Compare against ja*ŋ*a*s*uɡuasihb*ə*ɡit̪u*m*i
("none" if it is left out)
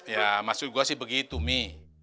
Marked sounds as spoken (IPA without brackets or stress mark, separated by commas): m, s, ə, m